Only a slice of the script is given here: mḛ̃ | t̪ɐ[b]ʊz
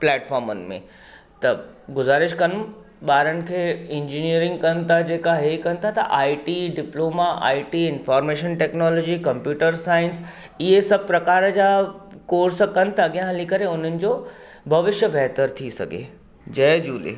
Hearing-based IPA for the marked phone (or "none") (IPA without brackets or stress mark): ɡ